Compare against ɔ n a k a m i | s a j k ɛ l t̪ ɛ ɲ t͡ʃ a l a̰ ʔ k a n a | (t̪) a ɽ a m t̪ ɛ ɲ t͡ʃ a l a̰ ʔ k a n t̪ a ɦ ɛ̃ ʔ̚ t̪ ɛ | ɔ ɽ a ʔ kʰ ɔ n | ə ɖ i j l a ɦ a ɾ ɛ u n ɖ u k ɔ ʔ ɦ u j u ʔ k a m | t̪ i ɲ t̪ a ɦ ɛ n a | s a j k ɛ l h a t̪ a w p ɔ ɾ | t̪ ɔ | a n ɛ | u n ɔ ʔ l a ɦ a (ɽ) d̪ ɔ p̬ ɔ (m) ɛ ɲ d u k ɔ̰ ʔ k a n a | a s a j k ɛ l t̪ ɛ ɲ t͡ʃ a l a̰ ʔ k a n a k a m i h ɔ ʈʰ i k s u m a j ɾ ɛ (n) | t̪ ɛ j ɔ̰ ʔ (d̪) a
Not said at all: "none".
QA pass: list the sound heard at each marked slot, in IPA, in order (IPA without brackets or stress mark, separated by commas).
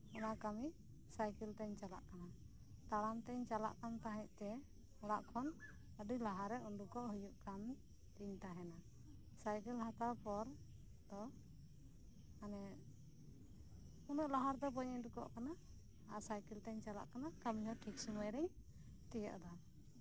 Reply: t̪, ɾ, ɲ, ɲ, d̪